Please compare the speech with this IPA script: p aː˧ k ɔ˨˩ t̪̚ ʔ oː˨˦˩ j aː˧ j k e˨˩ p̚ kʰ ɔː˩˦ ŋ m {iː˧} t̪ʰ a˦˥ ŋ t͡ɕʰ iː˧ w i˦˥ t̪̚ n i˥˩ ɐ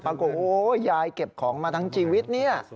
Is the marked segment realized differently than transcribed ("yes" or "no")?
yes